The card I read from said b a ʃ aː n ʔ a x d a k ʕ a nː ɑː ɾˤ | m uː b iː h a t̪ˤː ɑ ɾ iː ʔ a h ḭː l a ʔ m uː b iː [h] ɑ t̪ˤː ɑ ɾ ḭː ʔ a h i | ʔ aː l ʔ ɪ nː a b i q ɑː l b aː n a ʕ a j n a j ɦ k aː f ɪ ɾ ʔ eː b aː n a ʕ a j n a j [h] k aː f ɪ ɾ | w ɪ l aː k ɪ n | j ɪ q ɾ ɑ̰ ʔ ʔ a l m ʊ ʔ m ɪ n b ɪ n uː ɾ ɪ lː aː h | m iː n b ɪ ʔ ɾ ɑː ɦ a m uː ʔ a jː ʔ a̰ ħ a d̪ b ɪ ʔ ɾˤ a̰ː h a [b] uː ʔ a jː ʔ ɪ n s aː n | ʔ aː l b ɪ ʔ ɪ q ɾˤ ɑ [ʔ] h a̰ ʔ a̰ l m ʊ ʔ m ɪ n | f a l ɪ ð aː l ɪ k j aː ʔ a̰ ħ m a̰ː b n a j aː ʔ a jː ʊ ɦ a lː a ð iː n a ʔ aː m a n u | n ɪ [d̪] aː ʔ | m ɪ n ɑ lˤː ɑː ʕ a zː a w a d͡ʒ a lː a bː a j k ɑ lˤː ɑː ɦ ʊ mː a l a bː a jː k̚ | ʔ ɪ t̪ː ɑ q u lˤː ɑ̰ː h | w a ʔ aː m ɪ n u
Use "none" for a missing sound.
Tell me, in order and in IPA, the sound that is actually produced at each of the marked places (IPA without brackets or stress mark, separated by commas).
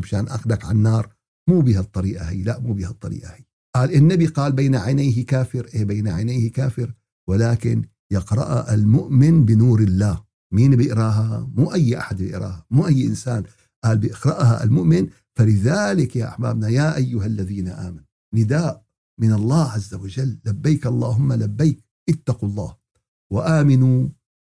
h, h, m, ʔ, d̪